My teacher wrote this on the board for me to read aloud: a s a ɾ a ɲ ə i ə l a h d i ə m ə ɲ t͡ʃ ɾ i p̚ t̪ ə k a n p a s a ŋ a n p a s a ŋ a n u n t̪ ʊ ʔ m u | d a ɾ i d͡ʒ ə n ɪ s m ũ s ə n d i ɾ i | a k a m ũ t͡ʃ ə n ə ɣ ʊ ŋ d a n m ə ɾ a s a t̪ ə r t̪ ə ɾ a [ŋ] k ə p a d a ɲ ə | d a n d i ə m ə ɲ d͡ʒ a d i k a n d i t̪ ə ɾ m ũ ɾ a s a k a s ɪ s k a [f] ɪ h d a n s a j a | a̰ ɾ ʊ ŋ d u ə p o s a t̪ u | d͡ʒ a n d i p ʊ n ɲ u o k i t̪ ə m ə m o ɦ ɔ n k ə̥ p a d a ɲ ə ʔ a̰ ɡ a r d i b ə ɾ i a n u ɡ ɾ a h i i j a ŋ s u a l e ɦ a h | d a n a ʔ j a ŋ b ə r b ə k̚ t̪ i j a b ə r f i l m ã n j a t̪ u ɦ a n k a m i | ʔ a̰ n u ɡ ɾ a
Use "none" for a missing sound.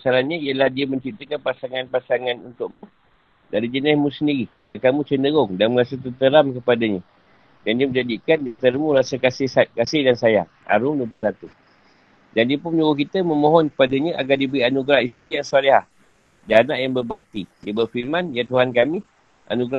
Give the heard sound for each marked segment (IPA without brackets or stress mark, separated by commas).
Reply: m, s